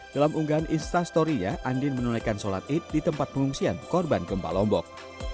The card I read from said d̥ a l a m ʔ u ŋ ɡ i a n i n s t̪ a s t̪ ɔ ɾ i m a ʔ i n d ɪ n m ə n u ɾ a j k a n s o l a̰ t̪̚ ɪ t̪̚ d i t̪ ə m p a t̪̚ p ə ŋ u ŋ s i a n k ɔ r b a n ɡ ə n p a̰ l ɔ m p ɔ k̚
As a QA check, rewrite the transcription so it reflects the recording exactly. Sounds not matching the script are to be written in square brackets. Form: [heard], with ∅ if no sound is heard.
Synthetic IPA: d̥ a l a m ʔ u ŋ ɡ [a] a n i n s t̪ a s t̪ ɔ ɾ i [ɲ] a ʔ [a] n d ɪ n m ə n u [l] a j k a n s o l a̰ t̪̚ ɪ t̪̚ d i t̪ ə m p a t̪̚ p ə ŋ u ŋ s i a n k ɔ r b a n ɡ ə [m] p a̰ l ɔ m [b] ɔ k̚